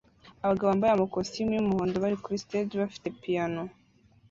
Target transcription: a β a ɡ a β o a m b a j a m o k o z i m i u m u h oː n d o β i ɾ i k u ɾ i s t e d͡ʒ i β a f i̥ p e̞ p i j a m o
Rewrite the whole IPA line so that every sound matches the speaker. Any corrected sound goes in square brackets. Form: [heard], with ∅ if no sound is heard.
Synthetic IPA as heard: a β a ɡ a β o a m b a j a m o k o [s] i m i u m u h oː n d o β [a] ɾ i k u ɾ i s t e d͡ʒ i β a f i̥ [t] e̞ p i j a [n] o